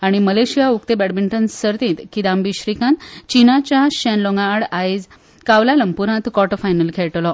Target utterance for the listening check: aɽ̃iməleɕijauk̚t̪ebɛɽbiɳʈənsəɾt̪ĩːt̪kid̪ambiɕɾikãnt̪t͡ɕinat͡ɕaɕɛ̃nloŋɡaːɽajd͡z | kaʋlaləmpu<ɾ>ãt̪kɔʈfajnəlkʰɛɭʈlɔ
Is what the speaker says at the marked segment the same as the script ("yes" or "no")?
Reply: yes